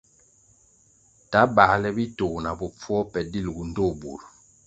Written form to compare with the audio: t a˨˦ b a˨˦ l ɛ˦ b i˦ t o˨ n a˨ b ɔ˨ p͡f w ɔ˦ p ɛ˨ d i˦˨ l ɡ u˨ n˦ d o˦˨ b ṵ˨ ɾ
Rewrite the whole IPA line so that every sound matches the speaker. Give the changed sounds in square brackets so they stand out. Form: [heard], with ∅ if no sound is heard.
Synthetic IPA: t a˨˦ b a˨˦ l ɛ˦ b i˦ t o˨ n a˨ b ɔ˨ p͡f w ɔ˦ p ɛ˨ d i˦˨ l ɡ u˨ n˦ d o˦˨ b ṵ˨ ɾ